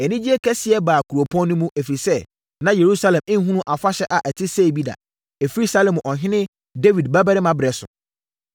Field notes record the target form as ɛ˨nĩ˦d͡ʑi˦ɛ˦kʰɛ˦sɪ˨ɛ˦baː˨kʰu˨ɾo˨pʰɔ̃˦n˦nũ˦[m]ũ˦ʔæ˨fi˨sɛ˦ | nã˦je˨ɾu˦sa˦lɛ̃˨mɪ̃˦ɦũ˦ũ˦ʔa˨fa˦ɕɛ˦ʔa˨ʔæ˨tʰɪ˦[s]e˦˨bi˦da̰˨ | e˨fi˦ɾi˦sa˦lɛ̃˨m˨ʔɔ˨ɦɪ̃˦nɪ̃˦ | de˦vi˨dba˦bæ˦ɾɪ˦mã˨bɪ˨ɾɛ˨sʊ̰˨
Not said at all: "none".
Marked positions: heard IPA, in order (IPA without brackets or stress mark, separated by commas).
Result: m, s